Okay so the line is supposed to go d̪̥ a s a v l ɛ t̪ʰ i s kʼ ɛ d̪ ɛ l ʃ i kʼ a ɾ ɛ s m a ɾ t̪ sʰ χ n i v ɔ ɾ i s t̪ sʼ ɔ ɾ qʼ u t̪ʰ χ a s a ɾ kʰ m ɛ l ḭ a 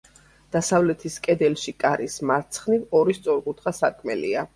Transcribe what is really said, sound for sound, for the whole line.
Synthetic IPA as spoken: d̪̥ a s a v l ɛ t̪ʰ i s kʼ ɛ d̪ ɛ l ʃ i kʼ a ɾ i s m a ɾ t̪ sʰ χ n i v ɔ ɾ i s t̪ sʼ ɔ ɾ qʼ u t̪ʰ χ a s a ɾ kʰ m ɛ l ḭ a